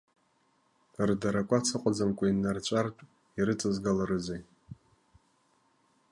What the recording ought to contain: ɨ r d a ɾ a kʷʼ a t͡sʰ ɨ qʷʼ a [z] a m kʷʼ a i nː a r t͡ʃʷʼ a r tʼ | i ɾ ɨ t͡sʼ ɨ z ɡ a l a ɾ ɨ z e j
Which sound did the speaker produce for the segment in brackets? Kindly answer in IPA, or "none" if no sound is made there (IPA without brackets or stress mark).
d͡z